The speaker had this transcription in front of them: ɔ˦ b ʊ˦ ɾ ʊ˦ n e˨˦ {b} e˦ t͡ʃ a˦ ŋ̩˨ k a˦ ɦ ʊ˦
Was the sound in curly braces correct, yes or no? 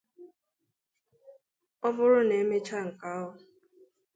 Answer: no